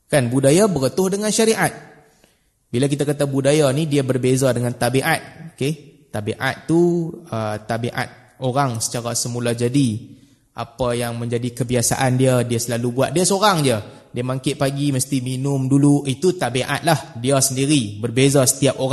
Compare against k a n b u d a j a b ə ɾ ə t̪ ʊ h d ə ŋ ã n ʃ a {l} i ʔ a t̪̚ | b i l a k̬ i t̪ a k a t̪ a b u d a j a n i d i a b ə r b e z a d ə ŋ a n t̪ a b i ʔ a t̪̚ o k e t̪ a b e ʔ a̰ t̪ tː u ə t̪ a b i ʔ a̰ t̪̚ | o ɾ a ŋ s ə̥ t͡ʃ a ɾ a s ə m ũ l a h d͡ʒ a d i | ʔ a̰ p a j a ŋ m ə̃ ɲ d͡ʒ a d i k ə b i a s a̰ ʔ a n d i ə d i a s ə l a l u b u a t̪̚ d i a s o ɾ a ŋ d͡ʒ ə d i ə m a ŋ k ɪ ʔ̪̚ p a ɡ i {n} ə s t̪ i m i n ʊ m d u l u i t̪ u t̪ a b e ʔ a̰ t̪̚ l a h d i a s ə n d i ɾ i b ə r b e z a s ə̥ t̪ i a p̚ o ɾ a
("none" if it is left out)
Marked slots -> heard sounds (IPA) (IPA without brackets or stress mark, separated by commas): ɾ, m